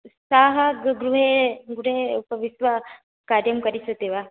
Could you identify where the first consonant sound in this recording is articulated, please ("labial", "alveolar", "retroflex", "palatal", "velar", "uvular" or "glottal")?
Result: alveolar